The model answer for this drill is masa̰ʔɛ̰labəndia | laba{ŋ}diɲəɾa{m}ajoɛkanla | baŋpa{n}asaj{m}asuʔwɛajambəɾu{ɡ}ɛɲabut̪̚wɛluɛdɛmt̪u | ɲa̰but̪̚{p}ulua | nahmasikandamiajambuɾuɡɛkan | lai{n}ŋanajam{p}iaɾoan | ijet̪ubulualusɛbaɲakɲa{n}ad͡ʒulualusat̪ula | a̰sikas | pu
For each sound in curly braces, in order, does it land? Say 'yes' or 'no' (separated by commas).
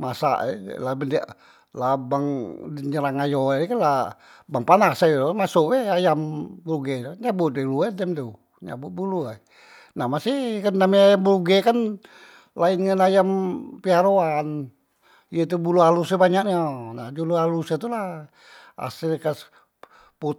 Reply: yes, no, yes, yes, yes, no, yes, yes, yes